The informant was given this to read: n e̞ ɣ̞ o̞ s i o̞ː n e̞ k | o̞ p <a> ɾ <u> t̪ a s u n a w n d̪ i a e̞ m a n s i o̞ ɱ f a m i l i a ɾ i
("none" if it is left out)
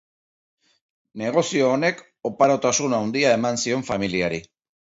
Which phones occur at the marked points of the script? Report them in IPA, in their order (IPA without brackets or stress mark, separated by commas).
a, o